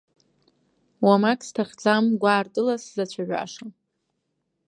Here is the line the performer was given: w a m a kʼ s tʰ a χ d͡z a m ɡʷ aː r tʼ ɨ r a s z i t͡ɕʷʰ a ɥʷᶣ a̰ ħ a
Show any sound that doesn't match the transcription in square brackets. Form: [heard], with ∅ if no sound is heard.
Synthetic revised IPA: w a m a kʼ s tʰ a χ d͡z a m ɡʷ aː r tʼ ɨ [l] a s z [a] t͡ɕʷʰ a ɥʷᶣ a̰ [ʂ] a